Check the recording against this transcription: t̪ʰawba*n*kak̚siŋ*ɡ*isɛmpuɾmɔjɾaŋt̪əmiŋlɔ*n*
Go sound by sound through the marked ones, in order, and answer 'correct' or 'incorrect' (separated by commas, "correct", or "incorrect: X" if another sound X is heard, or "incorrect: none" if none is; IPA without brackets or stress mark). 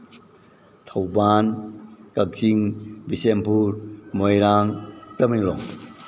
correct, incorrect: b, incorrect: ŋ